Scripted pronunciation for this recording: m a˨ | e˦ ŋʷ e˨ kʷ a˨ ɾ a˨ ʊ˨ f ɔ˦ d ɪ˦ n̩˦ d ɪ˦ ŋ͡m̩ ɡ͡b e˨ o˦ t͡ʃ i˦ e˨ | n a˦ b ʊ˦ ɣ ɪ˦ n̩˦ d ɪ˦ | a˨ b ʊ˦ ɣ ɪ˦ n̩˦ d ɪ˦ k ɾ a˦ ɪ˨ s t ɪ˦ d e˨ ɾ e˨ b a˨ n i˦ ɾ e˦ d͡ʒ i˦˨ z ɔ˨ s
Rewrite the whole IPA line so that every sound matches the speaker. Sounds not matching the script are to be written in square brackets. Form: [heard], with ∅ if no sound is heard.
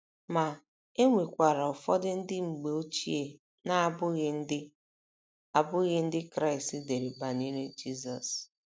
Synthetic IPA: m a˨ | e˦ ŋʷ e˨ kʷ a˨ ɾ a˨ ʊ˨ f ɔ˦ d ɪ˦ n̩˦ d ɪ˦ ŋ͡m̩ ɡ͡b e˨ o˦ t͡ʃ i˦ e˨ | n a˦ b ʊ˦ ɣ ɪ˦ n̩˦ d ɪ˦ | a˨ b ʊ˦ ɣ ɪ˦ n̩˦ d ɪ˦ k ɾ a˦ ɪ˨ s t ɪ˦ d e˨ ɾ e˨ b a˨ n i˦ ɾ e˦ d͡ʒ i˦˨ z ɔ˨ s